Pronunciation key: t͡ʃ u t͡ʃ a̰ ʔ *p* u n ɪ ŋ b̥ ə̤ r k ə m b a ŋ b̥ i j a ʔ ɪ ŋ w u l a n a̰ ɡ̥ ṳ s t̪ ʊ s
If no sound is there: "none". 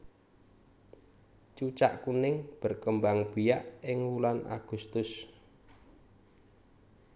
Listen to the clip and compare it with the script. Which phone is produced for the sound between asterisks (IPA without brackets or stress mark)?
k